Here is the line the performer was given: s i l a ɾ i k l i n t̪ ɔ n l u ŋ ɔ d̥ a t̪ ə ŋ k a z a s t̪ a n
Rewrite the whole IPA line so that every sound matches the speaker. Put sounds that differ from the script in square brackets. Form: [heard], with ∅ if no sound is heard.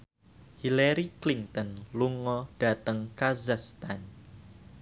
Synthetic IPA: [h] i l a ɾ i k l i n t̪ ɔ n l u ŋ ɔ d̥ a t̪ ə ŋ k a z a s t̪ a n